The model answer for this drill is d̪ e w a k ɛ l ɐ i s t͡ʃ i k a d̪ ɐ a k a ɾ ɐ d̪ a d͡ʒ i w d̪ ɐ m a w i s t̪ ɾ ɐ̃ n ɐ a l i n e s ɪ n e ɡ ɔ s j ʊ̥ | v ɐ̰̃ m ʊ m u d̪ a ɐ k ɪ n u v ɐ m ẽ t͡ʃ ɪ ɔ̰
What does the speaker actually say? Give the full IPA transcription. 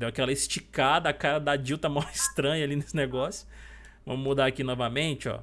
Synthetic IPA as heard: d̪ e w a k ɛ l ɐ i s t͡ʃ i k a d̪ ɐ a k a ɾ ɐ d̪ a d͡ʒ i w t̪ ɐ m a w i s t̪ ɾ ɐ̃ ɲ ɐ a l i n e s ɪ n e ɡ ɔ s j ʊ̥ | v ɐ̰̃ m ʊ m u d̪ a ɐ k i n ɔ v ɐ m ẽ t͡ʃ ɪ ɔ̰